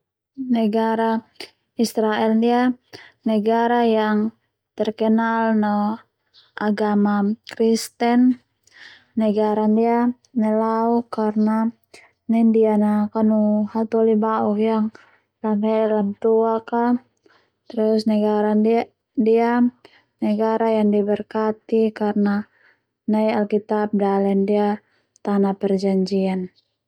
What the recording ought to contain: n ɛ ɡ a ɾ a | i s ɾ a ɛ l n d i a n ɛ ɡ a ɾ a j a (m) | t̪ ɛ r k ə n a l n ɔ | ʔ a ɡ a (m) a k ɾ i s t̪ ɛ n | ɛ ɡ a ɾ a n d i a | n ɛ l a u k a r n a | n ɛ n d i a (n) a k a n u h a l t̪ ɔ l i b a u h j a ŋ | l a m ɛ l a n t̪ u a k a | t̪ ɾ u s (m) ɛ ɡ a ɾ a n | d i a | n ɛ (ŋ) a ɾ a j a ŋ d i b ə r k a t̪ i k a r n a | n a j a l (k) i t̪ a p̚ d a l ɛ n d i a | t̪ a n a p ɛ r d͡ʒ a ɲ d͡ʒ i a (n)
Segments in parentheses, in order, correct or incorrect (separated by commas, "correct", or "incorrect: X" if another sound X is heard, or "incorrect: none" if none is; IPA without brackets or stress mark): incorrect: ŋ, correct, correct, incorrect: n, incorrect: ɡ, correct, correct